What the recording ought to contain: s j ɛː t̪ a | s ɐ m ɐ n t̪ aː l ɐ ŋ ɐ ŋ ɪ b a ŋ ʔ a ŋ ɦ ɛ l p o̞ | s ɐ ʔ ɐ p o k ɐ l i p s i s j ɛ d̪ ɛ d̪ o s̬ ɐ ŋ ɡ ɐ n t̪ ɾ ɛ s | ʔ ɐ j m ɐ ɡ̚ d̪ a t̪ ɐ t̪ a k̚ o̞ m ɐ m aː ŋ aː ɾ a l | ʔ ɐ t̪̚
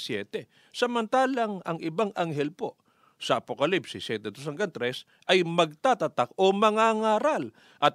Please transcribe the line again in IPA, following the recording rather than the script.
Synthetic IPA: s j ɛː t̪ ɛ | s ɐ m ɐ n t̪ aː l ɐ ŋ ɐ ŋ ɪ b a ŋ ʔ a ŋ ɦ ɛ l p o̞ | s ɐ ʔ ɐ p o k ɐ l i p s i s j ɛ t̪ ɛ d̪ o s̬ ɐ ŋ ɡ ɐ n t̪ ɾ ɛ s | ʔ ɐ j m ɐ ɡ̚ t̪ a t̪ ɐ t̪ a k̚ o̞ m ɐ ŋ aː ŋ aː ɾ a l | ʔ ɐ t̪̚